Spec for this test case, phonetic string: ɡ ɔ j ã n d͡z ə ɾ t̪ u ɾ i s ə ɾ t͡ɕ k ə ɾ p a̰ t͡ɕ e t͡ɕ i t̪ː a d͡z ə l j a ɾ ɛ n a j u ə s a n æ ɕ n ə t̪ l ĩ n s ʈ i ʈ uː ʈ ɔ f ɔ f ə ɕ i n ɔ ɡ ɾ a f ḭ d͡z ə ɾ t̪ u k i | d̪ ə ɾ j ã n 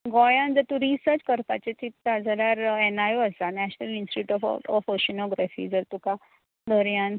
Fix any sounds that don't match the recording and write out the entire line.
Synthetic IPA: ɡ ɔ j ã n d͡z ə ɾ t̪ u ɾ i s ə ɾ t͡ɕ k ə ɾ p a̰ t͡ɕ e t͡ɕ i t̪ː a d͡z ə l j a ɾ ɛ n a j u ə s a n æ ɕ n ə l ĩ n s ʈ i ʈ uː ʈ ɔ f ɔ f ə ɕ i n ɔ ɡ ɾ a f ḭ d͡z ə ɾ t̪ u k a | d̪ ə ɾ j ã n

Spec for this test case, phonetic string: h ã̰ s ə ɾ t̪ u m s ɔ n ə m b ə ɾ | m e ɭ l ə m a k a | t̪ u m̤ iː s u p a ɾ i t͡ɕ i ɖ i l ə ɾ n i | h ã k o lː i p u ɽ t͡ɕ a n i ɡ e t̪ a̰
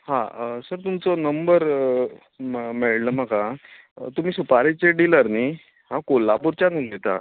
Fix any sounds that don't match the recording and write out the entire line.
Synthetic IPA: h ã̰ s ə ɾ t̪ u m t͡s ɔ n ə m b ə ɾ | m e ɭ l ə m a k a | t̪ u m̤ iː s u p a ɾ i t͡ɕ e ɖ i l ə ɾ n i | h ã k o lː a p u ɾ t͡ɕ a n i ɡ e t̪ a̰

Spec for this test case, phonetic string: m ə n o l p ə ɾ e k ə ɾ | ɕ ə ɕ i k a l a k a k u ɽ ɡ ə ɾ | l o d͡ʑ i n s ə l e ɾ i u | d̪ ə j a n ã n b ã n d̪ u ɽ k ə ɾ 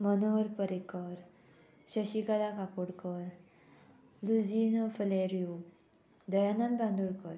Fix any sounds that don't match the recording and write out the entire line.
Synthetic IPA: m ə n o ɾ p ə ɾ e k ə ɾ | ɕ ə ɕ i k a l a k a k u ɽ k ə ɾ | l u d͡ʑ i n f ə l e ɾ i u | d̪ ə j a n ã n b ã n d̪ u ɽ k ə ɾ

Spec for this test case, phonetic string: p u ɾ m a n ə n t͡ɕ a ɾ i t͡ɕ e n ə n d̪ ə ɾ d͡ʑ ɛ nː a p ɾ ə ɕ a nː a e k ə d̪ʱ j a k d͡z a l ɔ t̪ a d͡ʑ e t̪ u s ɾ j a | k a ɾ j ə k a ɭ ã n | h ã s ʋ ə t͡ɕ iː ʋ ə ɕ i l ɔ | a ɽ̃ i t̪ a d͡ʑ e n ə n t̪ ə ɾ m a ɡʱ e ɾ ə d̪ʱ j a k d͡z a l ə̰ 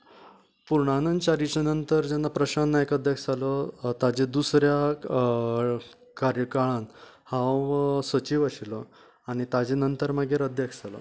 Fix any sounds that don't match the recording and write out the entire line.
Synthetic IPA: p u ɾ ɳ a n ə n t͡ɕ a ɾ i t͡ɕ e n ə n t̪ ə ɾ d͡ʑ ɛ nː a p ɾ ə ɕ a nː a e k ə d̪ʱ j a k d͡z a l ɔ t̪ a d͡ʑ e d̪ u s ɾ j a | k a ɾ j ə k a ɭ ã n | h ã s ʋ ə t͡ɕ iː ʋ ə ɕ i l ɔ | a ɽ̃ i t̪ a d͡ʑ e n ə n t̪ ə ɾ m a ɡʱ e ɾ ə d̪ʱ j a k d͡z a l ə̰

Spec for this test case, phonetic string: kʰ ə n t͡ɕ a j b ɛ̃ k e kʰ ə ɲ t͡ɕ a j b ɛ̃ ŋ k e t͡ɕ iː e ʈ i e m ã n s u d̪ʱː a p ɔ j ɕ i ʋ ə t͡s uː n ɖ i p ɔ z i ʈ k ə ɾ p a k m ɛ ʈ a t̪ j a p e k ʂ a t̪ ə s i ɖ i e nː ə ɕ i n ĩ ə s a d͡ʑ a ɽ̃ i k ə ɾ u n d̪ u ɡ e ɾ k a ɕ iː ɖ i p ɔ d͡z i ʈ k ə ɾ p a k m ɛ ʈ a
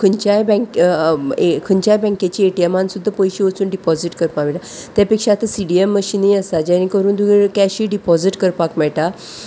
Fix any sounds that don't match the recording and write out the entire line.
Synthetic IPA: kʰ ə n t͡ɕ a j b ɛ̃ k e kʰ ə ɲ t͡ɕ a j b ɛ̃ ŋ k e t͡ɕ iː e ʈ i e m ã n s u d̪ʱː a p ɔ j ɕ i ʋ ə t͡s uː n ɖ i p ɔ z i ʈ k ə ɾ p a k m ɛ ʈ a t̪ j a p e k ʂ a t̪ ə s i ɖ i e mː ə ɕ i n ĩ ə s a d͡ʑ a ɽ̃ i k ə ɾ uː n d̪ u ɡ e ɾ k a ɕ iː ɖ i p ɔ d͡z i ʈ k ə ɾ p a k m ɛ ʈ a

